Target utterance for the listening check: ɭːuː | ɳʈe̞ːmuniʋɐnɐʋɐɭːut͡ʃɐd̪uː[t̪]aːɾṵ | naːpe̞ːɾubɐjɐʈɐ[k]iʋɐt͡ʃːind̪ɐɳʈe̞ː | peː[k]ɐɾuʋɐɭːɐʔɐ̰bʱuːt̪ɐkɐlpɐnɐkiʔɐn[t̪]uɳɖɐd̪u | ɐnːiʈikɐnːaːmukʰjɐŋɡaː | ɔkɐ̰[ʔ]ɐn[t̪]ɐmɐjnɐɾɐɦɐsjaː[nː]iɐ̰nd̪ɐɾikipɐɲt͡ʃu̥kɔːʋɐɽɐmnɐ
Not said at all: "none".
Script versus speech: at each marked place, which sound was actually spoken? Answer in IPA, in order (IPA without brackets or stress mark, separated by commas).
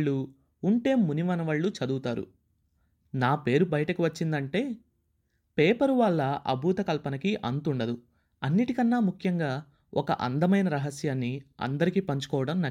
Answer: t̪, k, p, t̪, ʔ, d̪, nː